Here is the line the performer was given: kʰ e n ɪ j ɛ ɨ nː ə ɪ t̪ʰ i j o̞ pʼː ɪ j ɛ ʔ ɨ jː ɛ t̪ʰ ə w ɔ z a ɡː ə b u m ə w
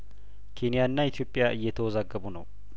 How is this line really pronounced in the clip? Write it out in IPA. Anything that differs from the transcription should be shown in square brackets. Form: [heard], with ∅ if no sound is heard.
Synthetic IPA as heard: kʰ e n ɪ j [a] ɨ nː [a] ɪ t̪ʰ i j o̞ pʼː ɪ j [a] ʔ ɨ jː ɛ t̪ʰ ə w ɔ z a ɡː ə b u [n] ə w